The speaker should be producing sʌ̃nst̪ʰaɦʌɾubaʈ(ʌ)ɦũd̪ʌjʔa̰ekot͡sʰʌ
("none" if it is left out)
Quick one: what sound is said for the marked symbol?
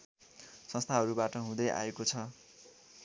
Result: ʌ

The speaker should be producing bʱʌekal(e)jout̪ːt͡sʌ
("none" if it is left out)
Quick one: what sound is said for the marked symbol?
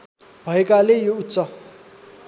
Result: e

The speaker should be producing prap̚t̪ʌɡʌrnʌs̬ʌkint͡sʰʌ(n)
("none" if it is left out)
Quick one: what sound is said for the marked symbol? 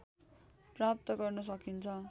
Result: none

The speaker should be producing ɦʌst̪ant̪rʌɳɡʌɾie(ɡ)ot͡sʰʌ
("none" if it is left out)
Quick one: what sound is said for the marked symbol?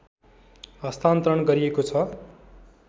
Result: k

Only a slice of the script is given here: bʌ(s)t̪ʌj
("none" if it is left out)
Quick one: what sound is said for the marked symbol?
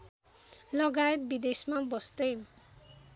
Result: s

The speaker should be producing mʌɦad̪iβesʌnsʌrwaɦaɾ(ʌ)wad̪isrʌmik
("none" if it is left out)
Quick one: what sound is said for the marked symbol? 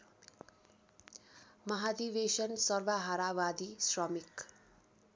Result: a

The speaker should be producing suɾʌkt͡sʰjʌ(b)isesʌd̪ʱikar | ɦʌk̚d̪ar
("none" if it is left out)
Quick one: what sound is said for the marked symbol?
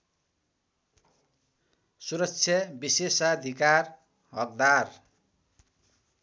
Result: b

